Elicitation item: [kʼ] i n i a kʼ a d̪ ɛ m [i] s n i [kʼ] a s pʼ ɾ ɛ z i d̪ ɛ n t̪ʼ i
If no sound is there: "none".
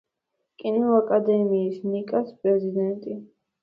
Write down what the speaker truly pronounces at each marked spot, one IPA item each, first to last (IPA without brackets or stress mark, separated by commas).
kʼ, iː, kʼ